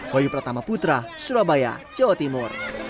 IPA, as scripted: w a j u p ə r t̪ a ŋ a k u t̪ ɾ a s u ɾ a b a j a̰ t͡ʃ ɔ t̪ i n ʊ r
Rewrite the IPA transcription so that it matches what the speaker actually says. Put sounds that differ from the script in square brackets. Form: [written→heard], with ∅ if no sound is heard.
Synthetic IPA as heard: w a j u p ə r t̪ a [ŋ→m] a [k→p] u t̪ ɾ a s u ɾ a b a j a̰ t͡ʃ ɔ t̪ i [n→m] ʊ r